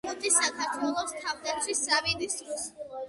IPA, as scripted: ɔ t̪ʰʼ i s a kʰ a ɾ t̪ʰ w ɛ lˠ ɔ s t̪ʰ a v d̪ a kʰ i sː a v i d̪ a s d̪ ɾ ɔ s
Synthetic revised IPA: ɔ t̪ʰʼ i s a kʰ a ɾ t̪ʰ w ɛ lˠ ɔ s t̪ʰ a v d̪ a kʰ i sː a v i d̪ i s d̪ ɾ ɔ s